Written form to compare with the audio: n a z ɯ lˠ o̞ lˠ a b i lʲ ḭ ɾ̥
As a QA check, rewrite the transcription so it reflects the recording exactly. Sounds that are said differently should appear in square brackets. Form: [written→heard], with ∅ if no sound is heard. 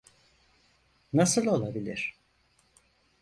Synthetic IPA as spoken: n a [z→s] ɯ lˠ o̞ lˠ a b i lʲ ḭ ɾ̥